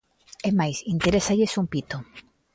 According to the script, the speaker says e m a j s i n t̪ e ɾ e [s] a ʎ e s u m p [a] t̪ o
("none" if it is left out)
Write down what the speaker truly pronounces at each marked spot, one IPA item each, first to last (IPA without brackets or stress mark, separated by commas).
s, i